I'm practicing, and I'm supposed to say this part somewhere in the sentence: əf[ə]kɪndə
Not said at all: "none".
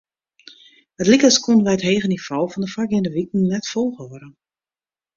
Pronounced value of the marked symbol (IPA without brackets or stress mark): a